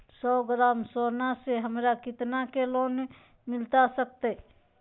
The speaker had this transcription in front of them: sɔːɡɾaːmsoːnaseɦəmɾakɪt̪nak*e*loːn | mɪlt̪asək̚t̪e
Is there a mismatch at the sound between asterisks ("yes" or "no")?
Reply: no